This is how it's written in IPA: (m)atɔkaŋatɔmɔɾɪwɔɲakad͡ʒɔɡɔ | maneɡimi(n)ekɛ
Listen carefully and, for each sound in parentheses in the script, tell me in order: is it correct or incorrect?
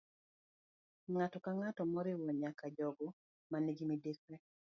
incorrect: ŋ, incorrect: d

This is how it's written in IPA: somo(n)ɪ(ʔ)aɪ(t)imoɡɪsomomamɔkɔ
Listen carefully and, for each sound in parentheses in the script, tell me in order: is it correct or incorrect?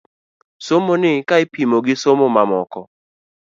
correct, incorrect: k, incorrect: p

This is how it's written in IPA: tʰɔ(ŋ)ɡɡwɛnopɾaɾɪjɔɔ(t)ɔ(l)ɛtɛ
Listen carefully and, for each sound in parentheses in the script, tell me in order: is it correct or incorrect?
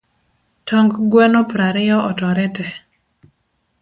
correct, correct, incorrect: ɾ

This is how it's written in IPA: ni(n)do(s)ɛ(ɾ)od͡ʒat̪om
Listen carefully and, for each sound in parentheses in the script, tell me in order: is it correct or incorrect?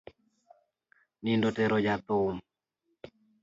correct, incorrect: t, correct

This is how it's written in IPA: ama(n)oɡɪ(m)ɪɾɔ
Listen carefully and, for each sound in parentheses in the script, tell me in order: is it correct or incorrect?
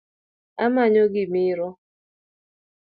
incorrect: ɲ, correct

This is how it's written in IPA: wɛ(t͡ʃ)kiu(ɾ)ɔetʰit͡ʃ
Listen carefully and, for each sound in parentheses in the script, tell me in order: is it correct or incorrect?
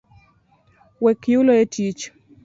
incorrect: none, incorrect: l

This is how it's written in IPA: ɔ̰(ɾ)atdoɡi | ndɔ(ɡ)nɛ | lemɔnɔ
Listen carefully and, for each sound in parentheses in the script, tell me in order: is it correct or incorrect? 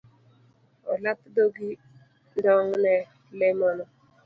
incorrect: l, incorrect: ŋ

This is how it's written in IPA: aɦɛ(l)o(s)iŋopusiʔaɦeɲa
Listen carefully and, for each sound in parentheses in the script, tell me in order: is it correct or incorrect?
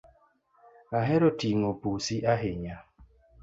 incorrect: ɾ, incorrect: t

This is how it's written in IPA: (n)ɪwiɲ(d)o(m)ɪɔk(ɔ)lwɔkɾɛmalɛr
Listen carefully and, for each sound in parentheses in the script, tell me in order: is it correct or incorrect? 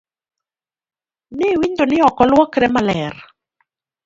correct, correct, incorrect: n, correct

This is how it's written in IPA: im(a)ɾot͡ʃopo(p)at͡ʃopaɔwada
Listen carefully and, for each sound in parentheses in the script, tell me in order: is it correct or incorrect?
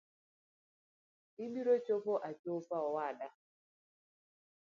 incorrect: i, incorrect: ʔ

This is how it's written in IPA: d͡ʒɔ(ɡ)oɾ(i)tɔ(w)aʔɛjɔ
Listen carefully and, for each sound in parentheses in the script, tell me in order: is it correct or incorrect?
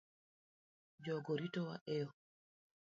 correct, correct, correct

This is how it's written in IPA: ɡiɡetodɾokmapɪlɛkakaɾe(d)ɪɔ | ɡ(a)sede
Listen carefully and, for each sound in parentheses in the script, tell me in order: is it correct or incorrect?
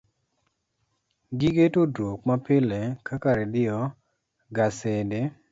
correct, correct

